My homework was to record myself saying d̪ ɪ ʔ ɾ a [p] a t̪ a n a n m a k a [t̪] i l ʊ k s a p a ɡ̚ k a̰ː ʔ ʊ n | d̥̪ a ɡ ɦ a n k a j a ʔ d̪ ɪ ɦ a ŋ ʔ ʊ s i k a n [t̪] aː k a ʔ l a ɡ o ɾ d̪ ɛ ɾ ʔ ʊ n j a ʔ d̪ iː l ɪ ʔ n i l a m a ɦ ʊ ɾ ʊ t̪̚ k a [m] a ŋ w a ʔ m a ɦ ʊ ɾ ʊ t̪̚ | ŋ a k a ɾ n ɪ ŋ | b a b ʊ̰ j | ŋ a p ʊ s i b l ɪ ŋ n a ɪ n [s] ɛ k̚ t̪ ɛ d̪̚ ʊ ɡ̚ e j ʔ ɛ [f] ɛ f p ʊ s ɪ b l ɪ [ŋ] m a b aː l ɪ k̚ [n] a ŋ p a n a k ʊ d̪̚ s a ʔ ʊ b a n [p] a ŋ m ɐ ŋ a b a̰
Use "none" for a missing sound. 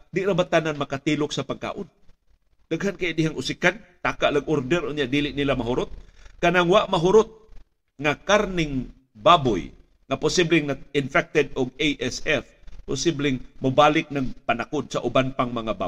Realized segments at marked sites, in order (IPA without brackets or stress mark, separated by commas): b, t̪, t̪, n, f, s, ŋ, n, p